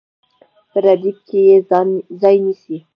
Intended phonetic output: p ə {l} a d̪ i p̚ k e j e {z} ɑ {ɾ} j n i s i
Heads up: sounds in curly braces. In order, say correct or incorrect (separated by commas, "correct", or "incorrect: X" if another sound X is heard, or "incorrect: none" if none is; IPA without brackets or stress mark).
incorrect: ɾ, correct, incorrect: none